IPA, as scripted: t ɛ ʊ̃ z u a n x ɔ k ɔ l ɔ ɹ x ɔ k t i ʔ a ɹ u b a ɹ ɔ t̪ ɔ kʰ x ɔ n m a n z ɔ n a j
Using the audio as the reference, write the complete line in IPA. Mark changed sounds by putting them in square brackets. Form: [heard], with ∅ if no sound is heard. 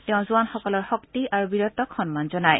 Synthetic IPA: t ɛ ʊ̃ z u a n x ɔ k ɔ l ɔ ɹ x ɔ k t i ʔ a ɹ u b [i] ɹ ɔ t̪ ɔ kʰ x ɔ n m a n z ɔ n a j